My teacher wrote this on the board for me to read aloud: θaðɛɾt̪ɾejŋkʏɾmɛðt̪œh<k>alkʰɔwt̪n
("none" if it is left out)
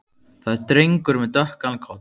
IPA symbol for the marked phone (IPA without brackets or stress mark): k